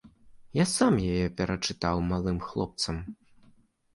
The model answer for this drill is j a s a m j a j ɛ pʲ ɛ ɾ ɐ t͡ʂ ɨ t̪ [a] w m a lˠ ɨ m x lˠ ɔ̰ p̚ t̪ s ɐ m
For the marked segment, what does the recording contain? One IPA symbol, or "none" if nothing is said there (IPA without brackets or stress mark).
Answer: a